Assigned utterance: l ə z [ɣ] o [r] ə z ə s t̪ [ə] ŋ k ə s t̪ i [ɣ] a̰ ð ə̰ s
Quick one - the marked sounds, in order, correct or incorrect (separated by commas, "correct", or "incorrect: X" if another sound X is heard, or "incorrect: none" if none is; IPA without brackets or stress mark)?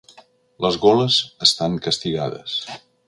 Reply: correct, incorrect: l, incorrect: a, correct